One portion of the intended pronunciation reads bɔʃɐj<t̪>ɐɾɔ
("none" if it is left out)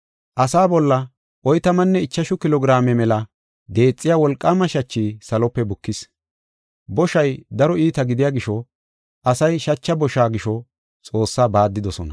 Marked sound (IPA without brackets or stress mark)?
d̪